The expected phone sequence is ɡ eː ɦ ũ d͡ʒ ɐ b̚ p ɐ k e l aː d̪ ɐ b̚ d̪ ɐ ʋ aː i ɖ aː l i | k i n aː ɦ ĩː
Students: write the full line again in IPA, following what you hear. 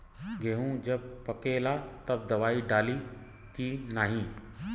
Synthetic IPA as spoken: ɡ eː ɦ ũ d͡ʒ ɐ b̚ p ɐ k e l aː t̪ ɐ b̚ d̪ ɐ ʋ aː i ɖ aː l i | k i n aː ɦ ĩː